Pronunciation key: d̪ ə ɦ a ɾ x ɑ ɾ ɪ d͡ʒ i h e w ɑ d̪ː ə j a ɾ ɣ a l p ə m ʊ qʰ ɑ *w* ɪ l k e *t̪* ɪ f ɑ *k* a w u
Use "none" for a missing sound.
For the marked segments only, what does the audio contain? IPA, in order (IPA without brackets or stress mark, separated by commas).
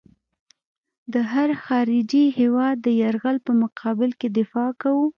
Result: b, d̪, k